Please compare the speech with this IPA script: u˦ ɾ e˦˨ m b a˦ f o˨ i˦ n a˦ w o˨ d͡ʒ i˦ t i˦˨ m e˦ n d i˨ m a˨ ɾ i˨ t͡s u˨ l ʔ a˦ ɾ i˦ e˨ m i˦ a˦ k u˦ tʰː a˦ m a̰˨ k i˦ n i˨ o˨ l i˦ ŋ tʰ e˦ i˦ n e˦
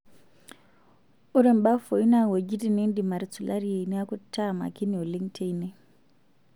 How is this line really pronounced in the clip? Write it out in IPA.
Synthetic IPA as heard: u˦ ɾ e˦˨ m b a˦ f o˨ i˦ n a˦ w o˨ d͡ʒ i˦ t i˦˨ n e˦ n d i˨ m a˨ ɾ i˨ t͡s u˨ l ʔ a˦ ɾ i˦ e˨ n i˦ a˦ k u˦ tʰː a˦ m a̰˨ k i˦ n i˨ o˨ l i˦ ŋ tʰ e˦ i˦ n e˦